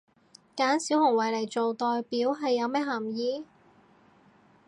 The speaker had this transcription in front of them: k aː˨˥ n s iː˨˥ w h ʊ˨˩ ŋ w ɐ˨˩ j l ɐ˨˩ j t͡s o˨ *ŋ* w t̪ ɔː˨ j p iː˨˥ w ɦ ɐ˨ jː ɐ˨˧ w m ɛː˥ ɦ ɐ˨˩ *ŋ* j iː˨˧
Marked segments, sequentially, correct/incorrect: incorrect: none, incorrect: m

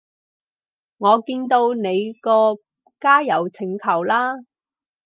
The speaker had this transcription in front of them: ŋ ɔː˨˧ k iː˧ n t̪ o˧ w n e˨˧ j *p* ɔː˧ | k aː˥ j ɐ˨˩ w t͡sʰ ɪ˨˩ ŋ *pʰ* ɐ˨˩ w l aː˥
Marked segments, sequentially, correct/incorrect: incorrect: k, incorrect: kʰ

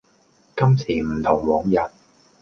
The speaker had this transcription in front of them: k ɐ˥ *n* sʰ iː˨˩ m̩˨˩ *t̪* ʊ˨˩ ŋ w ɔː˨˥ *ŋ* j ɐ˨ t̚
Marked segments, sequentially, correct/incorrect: incorrect: m, incorrect: t̪ʰ, correct

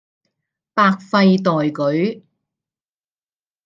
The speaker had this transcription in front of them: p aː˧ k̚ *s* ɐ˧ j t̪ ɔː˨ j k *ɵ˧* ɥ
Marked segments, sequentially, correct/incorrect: incorrect: f, incorrect: ɵ˨˥

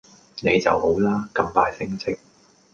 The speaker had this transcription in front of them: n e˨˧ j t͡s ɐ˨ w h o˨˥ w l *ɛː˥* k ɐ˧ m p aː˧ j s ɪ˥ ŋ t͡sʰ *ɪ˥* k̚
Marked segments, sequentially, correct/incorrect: incorrect: aː˥, correct

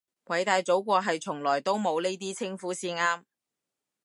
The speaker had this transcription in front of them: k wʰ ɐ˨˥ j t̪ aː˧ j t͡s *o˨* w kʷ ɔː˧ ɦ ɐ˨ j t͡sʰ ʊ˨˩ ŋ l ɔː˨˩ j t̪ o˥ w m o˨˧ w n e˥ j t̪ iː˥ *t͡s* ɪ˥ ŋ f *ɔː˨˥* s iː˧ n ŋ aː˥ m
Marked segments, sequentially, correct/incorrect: incorrect: o˨˥, incorrect: t͡sʰ, incorrect: uː˨˥

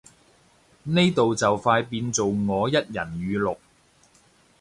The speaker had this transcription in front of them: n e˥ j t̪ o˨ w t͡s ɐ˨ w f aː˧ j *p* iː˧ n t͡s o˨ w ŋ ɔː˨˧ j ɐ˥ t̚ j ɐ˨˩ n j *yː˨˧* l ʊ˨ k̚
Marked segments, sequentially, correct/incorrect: correct, correct

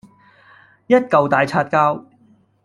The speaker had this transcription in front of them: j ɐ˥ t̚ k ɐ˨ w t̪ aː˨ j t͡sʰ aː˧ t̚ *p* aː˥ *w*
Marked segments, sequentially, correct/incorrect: incorrect: k, correct

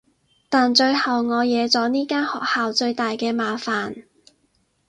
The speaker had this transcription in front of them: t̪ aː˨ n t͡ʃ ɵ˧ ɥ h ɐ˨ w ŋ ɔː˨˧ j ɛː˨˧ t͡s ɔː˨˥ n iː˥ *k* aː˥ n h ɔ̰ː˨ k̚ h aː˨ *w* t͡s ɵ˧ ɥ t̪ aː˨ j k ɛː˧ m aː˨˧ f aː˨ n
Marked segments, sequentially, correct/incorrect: correct, correct

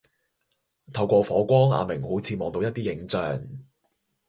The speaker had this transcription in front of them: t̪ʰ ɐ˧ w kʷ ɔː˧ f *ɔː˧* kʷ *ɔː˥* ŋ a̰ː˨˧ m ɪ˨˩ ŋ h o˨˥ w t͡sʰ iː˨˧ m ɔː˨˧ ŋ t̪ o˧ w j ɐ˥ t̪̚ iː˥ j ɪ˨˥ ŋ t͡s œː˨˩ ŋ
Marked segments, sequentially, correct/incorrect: incorrect: ɔː˨˥, correct

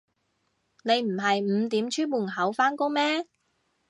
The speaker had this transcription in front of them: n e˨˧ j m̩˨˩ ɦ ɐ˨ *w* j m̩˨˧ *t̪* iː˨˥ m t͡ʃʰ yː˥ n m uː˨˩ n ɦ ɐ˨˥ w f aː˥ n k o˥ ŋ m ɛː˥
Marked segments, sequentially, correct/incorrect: incorrect: none, correct

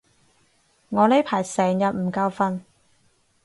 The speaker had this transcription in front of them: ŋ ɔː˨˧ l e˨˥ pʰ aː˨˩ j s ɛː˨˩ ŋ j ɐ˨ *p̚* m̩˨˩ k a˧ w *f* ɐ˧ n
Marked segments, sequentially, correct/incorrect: incorrect: t̚, correct

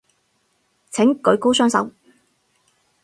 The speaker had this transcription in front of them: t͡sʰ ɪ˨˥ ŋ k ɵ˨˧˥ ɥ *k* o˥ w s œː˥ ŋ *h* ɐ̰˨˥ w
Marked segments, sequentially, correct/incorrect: correct, incorrect: s

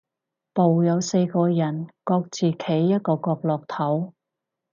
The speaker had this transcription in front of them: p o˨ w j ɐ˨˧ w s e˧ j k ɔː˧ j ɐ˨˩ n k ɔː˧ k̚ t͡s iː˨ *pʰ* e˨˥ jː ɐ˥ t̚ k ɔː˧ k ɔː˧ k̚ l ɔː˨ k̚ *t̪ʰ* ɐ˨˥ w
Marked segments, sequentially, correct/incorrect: incorrect: kʰ, correct

